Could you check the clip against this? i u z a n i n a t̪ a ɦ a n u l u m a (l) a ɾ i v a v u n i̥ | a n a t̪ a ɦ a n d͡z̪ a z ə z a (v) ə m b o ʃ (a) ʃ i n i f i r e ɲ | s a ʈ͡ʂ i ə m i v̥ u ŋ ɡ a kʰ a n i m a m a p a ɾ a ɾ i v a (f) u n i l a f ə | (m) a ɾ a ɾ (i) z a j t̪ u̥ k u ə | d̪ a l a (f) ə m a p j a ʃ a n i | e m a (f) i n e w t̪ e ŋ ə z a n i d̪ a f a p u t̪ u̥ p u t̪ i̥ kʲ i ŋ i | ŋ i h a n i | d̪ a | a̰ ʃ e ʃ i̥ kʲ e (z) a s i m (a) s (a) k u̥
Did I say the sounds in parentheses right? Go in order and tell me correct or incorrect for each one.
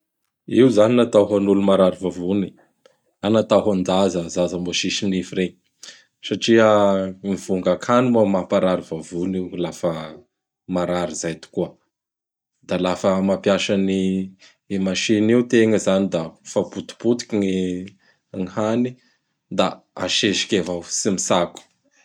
incorrect: ɾ, incorrect: z, incorrect: i, incorrect: v, correct, correct, correct, incorrect: ʃ, incorrect: v, incorrect: i, correct

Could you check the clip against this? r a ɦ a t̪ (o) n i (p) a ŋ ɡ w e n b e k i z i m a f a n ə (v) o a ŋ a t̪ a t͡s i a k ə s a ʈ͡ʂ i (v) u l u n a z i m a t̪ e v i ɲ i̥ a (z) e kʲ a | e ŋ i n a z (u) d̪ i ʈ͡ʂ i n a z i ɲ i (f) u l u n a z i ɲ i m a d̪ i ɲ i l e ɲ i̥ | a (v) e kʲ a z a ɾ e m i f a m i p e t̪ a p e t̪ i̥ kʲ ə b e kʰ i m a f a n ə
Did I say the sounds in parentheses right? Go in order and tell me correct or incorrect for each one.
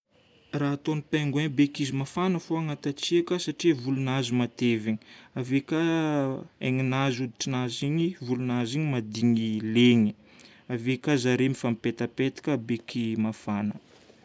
correct, correct, incorrect: f, correct, incorrect: v, correct, incorrect: v, correct

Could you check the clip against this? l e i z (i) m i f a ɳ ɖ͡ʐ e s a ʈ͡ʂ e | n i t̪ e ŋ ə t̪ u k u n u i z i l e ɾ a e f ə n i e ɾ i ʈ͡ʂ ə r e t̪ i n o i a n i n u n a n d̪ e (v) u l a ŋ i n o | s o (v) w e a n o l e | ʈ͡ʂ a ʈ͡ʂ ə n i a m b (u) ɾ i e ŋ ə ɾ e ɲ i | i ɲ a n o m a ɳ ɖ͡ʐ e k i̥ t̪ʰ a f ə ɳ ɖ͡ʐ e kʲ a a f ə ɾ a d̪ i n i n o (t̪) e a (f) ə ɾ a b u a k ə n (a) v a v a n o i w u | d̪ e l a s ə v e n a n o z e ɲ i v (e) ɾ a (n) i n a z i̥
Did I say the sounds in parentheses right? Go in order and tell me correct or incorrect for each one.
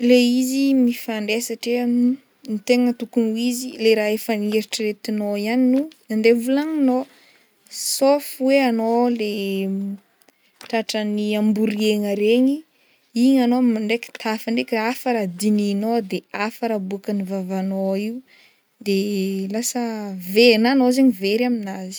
correct, correct, incorrect: f, correct, incorrect: d̪, correct, incorrect: i, correct, incorrect: m

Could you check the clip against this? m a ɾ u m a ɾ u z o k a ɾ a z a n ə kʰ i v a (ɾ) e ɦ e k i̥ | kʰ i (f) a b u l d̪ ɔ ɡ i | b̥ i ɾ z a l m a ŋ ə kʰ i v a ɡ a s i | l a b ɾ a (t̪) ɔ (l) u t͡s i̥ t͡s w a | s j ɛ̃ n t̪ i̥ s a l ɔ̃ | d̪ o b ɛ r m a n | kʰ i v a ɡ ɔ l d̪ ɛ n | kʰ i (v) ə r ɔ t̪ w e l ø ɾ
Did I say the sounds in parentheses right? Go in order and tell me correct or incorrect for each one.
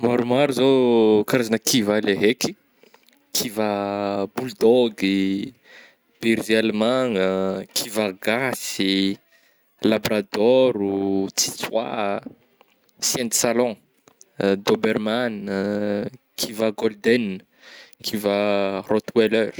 incorrect: l, incorrect: v, incorrect: d̪, incorrect: ɾ, correct

